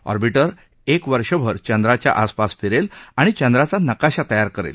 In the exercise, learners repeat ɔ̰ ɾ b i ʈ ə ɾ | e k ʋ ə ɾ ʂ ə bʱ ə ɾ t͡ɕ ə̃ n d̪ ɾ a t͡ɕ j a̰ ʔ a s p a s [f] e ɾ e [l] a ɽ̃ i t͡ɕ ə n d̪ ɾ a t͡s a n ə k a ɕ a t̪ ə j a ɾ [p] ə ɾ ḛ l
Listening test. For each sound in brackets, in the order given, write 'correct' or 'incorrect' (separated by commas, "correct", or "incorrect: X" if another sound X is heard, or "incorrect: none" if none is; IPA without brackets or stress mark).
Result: correct, correct, incorrect: k